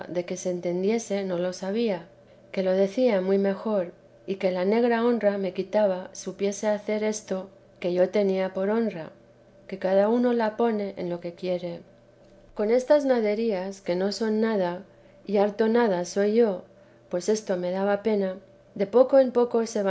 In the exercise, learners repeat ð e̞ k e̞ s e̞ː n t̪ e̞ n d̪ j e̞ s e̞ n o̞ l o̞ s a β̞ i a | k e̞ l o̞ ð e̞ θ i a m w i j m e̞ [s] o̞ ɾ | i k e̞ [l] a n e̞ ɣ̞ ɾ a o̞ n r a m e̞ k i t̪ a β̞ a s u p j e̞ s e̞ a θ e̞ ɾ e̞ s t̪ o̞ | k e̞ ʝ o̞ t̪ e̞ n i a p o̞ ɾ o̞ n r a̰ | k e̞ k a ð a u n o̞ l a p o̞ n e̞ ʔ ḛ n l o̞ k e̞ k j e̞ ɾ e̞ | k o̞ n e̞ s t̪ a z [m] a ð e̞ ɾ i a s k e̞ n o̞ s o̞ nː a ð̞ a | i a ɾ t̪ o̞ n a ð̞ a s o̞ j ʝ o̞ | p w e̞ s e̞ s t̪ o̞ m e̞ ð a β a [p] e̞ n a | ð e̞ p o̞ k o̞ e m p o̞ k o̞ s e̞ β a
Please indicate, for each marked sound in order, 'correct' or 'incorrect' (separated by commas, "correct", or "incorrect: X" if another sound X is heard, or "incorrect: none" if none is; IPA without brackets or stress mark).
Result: incorrect: x, correct, incorrect: n, correct